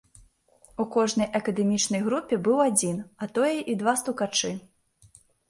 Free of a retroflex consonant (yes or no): no